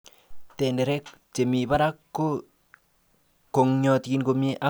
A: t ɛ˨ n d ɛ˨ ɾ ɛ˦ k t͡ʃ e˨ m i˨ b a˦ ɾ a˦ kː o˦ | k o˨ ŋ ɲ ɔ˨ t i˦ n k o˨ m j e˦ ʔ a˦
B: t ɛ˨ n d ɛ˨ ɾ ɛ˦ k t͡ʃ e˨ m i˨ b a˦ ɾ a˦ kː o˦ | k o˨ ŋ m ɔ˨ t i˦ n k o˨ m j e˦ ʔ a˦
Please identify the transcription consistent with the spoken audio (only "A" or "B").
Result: A